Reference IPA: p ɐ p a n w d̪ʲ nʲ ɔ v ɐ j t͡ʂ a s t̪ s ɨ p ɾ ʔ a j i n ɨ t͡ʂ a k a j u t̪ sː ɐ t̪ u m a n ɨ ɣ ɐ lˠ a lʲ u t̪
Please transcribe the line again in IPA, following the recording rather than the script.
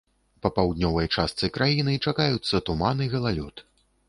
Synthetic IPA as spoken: p ɐ p a w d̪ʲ nʲ ɔ v ɐ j t͡ʂ a s t̪ s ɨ k ɾ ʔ a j i n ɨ t͡ʂ a k a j u t̪ sː ɐ t̪ u m a n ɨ ɣ ɐ lˠ a lʲ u t̪